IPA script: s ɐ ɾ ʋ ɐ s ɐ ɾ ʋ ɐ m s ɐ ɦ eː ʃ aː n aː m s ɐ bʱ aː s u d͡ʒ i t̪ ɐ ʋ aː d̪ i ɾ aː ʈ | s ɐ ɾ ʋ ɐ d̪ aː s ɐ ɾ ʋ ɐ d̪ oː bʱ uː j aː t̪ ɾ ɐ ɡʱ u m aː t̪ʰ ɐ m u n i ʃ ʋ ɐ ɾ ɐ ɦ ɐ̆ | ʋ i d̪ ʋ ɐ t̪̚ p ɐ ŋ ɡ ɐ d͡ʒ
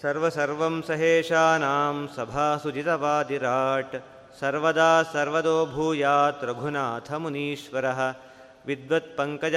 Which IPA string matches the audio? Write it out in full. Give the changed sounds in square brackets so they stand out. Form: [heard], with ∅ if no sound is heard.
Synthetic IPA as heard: s ɐ ɾ ʋ ɐ s ɐ ɾ ʋ ɐ m s ɐ ɦ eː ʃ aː n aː m s ɐ bʱ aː s u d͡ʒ i t̪ ɐ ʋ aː d̪ i ɾ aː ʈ | s ɐ ɾ ʋ ɐ d̪ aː s ɐ ɾ ʋ ɐ d̪ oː bʱ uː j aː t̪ ɾ ɐ ɡʱ u [n] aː t̪ʰ ɐ m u n [iː] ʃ ʋ ɐ ɾ ɐ ɦ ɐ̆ | ʋ i d̪ ʋ ɐ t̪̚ p ɐ ŋ [k] ɐ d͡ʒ